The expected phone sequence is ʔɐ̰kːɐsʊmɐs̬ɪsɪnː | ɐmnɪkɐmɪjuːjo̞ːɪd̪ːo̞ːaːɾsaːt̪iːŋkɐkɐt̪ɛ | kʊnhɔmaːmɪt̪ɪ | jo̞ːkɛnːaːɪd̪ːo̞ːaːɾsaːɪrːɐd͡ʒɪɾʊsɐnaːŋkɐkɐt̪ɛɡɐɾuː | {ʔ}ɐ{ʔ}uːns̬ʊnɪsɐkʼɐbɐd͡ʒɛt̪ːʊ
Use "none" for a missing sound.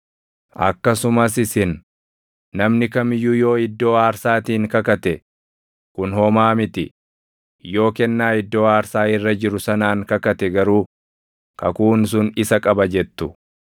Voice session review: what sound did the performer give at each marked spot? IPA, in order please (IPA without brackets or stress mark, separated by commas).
k, k